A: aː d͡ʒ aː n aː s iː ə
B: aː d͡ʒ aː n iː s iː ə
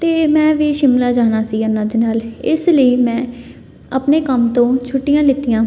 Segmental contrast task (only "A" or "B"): A